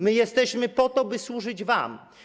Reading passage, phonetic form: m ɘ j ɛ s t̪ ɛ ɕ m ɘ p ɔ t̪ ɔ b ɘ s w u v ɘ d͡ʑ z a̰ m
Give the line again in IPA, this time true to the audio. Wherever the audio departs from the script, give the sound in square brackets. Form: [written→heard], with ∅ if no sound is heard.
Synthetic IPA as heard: m ɘ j ɛ s t̪ ɛ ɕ m ɘ p ɔ t̪ ɔ b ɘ s w u [v→ʐ] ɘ d͡ʑ [z→v] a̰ m